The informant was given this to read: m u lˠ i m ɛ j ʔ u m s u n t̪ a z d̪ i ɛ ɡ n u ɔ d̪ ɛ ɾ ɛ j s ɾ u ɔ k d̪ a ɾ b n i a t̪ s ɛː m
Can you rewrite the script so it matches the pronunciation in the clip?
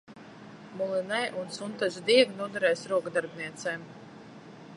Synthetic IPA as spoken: m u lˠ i n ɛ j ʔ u n s u n t̪ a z d̪ i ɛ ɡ n u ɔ d̪ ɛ ɾ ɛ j s ɾ u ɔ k d̪ a ɾ b n i ɛ t̪ s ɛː m